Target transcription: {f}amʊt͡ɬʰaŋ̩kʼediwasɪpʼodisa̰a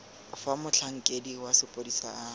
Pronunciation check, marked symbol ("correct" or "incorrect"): correct